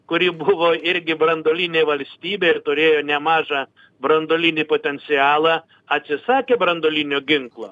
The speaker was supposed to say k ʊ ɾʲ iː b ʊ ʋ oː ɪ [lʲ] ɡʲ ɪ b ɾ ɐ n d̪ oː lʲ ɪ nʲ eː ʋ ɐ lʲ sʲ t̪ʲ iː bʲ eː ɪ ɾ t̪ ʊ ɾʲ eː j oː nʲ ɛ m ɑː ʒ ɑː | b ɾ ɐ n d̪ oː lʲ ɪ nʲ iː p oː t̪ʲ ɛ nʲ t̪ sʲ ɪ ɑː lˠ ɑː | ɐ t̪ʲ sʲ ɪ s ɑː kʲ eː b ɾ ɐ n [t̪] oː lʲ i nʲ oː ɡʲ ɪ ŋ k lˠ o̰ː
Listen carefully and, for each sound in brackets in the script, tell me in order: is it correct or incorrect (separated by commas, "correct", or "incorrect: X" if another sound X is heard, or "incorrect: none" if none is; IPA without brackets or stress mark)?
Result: incorrect: ɾʲ, incorrect: d̪